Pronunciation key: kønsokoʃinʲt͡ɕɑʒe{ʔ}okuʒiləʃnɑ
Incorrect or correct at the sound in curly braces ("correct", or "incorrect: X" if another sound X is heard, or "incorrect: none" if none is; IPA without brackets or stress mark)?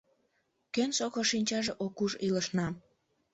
correct